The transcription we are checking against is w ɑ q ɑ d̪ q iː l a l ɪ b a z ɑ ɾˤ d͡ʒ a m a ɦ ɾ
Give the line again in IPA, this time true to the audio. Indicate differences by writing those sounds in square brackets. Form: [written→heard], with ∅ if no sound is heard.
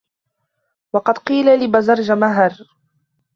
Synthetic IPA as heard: w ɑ q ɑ d̪ q iː l a l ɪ b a z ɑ ɾˤ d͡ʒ a m a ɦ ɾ